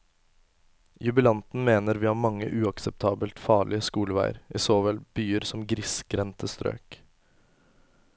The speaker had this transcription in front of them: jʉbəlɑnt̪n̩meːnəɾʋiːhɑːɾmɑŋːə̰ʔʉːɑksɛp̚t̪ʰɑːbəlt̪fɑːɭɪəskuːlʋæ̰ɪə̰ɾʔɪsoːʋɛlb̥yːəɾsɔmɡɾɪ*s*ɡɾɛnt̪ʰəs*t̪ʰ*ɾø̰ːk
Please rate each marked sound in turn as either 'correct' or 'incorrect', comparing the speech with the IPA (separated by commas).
correct, incorrect